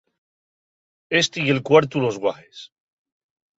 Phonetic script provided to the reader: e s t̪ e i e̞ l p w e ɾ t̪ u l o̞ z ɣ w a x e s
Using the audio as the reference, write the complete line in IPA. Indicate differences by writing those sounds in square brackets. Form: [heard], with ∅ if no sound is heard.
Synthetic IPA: e s t̪ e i e̞ l [k] w [a] ɾ t̪ u l o̞ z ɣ w a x e s